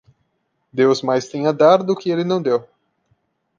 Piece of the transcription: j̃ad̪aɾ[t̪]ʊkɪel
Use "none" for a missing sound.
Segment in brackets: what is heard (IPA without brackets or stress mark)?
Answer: d̪